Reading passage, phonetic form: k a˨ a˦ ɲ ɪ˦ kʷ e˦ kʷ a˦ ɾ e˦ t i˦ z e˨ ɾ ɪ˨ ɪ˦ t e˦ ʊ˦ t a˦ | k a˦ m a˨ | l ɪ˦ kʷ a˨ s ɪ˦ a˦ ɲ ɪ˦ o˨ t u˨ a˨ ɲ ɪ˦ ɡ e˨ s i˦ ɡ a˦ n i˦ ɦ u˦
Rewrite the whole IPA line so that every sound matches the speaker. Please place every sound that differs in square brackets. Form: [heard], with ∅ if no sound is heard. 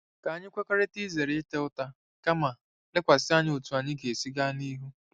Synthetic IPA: k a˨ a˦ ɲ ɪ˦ kʷ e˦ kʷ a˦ ɾ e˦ t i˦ z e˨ ɾ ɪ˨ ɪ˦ t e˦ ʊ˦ t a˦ | k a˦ m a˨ | l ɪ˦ kʷ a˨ s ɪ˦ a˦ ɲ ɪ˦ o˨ t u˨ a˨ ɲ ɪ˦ ɡ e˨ s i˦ ɡ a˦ n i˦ ɦ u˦